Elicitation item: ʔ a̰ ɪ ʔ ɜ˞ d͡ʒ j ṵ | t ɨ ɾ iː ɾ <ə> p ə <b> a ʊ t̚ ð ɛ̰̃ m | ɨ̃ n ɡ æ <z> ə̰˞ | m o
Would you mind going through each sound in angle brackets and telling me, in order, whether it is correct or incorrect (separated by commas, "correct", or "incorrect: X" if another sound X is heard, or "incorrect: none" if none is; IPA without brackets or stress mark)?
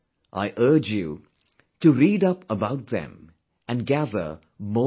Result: incorrect: ʌ, correct, incorrect: ð